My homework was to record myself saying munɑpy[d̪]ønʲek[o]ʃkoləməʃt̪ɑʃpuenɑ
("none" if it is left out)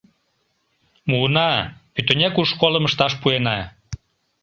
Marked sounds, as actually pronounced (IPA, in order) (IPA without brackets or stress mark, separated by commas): t̪, u